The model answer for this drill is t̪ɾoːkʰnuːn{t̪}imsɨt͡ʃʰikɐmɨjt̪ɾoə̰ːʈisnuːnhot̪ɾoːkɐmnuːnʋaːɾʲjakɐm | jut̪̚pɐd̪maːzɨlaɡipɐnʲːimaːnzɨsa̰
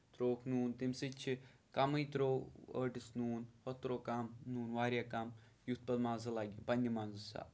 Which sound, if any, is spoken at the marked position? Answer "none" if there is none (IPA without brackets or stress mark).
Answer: t̪